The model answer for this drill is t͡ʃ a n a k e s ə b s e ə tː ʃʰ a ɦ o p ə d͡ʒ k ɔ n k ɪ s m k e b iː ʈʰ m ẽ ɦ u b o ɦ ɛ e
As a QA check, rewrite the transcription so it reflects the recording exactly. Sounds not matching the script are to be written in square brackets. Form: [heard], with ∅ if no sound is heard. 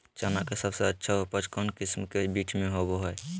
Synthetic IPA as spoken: t͡ʃ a n a k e s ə b s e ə tː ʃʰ a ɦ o p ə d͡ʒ k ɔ n k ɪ s m k e b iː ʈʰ m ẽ ɦ [o] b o ɦ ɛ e